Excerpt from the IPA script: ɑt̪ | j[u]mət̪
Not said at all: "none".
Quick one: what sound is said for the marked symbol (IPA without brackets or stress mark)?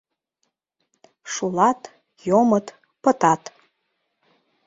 o